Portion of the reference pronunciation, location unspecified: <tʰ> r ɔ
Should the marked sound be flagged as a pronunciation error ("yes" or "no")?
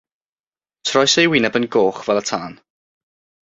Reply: no